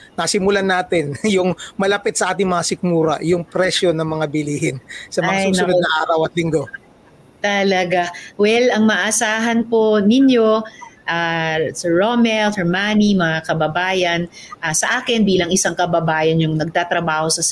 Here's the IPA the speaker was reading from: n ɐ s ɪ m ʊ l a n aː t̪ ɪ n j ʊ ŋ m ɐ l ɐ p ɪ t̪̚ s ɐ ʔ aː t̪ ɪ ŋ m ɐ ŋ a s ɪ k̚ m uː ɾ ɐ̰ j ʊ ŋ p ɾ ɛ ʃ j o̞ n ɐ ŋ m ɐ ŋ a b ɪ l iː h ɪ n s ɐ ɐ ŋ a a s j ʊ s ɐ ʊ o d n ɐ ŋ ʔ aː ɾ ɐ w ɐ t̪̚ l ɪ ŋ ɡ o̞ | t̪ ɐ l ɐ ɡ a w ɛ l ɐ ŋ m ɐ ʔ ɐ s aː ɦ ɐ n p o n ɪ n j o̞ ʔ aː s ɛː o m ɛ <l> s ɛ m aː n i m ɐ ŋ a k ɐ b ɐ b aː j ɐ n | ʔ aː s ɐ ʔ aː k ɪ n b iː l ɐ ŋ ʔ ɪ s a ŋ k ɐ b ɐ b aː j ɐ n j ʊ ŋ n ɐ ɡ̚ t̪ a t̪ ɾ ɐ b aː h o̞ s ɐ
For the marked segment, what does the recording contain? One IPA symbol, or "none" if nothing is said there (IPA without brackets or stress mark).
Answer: l